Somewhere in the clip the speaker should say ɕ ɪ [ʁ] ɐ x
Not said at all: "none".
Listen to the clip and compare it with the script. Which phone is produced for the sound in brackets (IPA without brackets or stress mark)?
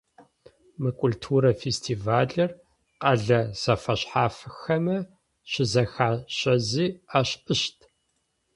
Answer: z